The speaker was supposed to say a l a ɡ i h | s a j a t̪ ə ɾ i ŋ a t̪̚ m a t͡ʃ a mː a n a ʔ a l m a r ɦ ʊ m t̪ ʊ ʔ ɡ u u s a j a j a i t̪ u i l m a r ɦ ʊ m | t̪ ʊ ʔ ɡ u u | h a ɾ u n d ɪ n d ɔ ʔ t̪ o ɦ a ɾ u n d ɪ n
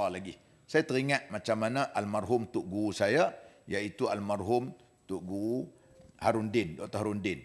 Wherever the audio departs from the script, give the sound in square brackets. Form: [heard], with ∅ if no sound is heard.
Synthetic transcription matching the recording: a l a ɡ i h | s a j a t̪ ə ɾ i ŋ a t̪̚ m a t͡ʃ a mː a n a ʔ a l m a r ɦ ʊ m t̪ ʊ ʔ ɡ u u s a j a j a i t̪ u [a] l m a r ɦ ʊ m | t̪ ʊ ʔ ɡ u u | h a ɾ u n d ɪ n d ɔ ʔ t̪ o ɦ a ɾ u n d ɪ n